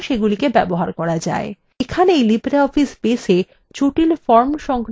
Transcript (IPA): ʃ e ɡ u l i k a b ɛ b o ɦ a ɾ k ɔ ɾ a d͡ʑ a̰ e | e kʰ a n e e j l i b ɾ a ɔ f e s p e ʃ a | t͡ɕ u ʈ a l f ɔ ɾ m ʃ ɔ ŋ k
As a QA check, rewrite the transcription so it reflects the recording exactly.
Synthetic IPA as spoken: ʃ e ɡ u l i k e b ɛ b o ɦ a ɾ k ɔ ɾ a d͡ʑ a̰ e | e kʰ a n e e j l i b ɾ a ɔ f i s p e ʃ e | t͡ɕ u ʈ i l f ɔ ɾ m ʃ ɔ ŋ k